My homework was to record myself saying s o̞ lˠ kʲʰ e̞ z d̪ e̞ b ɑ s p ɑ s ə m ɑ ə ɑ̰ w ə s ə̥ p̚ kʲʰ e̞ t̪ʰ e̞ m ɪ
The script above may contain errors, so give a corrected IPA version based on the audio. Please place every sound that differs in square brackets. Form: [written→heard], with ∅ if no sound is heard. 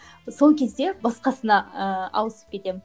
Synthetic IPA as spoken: s o̞ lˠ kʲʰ e̞ z d̪ e̞ b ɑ s [p→q] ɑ s ə [m→n] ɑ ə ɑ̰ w ə s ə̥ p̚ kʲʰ e̞ [t̪ʰ→t̪] e̞ m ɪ